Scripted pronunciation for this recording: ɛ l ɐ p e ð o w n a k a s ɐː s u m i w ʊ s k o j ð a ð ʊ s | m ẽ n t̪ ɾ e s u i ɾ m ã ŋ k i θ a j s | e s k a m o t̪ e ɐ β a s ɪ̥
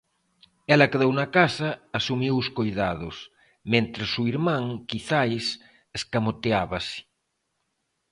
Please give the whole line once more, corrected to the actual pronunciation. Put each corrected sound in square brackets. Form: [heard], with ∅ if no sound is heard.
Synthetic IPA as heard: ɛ l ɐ [k] e ð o w n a k a s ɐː s u m i w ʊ s k o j ð a ð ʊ s | m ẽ n t̪ ɾ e s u i ɾ m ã ŋ k i θ a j s | e s k a m o t̪ e [a] β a s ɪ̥